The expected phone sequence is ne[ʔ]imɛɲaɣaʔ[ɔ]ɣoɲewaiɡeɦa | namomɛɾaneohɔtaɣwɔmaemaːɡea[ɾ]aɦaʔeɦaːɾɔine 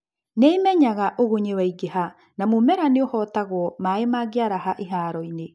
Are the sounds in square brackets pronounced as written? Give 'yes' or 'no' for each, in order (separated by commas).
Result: no, no, yes